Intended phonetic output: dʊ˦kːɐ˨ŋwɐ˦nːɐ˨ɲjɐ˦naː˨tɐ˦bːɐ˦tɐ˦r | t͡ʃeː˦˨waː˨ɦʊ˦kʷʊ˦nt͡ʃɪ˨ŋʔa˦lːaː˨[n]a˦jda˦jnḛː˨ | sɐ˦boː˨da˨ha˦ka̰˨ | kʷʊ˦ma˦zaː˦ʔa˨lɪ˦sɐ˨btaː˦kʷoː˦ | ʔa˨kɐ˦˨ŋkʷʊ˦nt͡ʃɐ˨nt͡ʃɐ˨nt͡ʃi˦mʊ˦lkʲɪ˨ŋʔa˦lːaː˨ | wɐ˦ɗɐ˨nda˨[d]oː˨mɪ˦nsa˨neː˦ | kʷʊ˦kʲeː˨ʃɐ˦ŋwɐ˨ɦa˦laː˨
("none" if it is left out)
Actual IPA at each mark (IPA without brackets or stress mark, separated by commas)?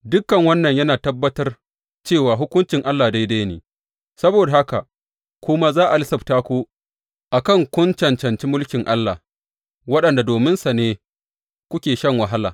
d, d